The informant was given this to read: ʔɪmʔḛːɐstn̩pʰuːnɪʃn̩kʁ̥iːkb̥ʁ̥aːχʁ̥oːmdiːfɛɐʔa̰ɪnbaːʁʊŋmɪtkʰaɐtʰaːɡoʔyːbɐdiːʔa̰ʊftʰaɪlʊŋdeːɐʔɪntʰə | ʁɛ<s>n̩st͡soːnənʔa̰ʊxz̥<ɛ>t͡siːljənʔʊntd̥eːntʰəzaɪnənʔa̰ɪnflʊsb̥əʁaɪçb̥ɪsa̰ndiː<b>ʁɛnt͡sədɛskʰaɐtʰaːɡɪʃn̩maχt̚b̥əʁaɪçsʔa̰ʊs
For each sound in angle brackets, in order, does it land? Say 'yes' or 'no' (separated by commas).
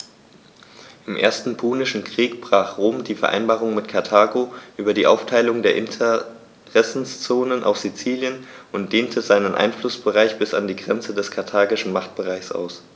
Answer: yes, no, no